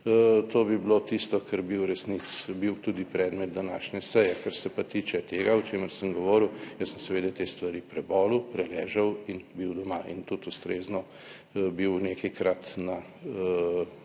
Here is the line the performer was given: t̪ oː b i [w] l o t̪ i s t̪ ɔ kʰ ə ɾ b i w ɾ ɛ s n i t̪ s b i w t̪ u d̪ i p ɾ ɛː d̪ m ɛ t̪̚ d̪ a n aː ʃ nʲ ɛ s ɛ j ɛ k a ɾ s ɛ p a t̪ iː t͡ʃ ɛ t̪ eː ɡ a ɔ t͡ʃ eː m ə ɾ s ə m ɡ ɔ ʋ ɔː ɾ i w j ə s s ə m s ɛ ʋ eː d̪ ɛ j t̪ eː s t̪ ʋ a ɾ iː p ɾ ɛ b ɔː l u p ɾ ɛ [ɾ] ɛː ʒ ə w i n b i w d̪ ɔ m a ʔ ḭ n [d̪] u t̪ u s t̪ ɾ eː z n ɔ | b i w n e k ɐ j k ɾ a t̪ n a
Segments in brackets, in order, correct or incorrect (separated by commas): incorrect, incorrect, incorrect